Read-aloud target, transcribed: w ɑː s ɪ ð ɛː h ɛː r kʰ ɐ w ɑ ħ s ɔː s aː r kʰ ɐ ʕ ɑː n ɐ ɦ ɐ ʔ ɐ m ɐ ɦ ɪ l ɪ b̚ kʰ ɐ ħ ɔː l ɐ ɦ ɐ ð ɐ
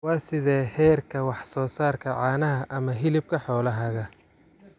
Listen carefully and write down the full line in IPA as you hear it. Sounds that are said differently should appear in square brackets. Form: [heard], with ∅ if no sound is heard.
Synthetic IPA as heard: w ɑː s ɪ ð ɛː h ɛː r kʰ ɐ w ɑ ħ s ɔː s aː r kʰ ɐ ʕ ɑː n ɐ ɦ ɐ ʔ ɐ m ɐ ɦ ɪ l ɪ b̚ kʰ ɐ ħ ɔː l ɐ ɦ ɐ [ɣ] ɐ